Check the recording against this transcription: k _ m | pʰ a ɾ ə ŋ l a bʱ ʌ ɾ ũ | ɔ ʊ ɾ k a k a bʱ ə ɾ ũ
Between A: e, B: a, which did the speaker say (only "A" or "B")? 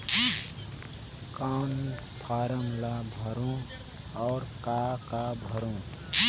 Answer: B